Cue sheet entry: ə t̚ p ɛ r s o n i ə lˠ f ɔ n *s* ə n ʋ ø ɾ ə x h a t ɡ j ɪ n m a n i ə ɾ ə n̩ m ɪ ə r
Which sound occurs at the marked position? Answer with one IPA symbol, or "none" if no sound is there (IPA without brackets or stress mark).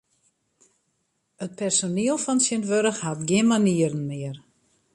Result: s